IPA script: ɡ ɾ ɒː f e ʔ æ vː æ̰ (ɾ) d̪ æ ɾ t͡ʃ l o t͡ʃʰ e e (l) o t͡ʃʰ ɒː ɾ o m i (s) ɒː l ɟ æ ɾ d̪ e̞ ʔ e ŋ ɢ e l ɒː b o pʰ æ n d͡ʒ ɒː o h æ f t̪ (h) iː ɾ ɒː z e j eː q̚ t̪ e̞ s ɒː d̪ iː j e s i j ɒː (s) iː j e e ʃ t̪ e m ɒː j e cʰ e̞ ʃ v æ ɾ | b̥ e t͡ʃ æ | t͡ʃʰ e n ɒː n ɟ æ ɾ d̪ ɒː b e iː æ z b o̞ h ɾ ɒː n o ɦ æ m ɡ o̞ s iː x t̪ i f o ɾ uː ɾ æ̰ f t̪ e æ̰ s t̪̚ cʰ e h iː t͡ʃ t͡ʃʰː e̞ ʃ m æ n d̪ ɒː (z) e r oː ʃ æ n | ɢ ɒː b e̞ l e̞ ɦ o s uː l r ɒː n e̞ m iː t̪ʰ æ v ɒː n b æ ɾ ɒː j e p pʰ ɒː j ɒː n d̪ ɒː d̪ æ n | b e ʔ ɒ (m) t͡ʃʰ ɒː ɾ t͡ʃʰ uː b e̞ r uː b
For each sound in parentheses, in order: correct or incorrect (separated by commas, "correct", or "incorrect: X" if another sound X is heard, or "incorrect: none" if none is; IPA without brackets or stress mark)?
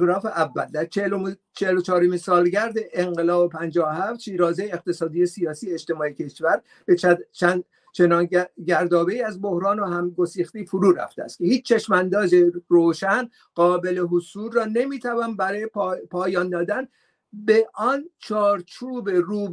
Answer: incorrect: l, correct, correct, incorrect: ʃ, correct, correct, incorrect: n